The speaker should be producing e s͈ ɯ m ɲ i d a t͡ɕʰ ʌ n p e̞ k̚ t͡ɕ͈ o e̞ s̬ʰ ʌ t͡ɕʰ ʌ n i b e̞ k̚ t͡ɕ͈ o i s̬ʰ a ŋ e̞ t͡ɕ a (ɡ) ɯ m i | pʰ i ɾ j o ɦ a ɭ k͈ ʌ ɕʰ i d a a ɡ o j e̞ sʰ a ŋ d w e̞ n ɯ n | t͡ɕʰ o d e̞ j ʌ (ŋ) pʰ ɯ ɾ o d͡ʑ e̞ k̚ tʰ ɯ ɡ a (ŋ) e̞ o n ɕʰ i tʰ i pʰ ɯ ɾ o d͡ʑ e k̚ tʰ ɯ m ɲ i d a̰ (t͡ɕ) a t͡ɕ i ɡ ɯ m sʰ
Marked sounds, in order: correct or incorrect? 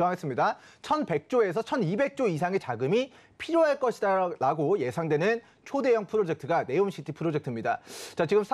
correct, correct, incorrect, correct

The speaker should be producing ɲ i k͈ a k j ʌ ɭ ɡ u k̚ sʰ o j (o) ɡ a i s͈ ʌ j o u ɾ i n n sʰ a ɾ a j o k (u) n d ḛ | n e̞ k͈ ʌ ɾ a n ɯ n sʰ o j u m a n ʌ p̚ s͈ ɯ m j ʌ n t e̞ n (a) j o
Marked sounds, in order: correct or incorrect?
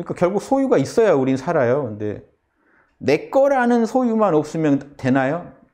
incorrect, incorrect, correct

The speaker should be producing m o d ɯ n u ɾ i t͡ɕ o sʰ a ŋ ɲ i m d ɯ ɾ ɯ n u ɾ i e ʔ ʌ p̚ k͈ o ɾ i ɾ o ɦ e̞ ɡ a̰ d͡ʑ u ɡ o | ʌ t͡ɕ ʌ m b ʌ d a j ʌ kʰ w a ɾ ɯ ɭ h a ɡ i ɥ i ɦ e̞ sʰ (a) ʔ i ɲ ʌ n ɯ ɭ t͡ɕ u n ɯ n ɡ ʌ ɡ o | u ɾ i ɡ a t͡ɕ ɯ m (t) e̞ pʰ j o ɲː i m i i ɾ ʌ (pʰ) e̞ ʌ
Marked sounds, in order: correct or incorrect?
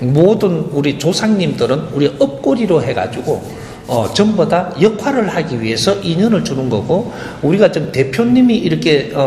incorrect, correct, incorrect

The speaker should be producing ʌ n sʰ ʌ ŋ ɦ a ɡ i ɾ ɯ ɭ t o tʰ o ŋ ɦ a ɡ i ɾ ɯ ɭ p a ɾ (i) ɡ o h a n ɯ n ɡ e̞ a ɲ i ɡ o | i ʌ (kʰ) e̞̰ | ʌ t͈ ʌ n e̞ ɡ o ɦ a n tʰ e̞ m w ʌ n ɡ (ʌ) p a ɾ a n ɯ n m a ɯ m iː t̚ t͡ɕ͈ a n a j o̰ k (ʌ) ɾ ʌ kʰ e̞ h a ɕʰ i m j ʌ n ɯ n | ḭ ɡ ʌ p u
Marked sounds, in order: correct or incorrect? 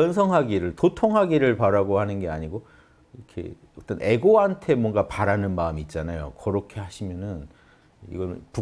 incorrect, correct, incorrect, correct

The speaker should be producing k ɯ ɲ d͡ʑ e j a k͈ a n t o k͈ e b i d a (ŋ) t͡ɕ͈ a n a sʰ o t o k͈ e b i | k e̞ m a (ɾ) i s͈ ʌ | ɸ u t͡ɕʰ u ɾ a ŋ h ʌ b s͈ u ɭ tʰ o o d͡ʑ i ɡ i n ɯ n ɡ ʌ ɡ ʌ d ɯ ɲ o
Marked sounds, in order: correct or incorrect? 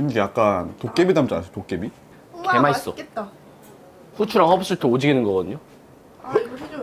incorrect, incorrect

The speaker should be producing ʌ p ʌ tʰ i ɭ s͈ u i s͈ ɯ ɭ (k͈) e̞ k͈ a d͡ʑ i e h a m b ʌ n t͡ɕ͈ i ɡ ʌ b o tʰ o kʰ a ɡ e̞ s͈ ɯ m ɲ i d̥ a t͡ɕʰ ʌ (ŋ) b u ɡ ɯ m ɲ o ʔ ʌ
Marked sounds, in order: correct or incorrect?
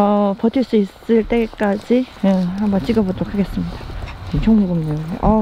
incorrect, correct

